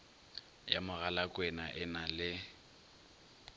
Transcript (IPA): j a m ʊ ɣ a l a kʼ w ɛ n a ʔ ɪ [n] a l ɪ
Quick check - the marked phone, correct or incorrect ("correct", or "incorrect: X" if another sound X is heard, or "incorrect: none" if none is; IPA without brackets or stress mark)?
correct